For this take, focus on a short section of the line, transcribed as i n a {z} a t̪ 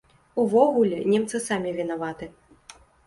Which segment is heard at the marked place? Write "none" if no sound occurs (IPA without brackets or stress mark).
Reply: v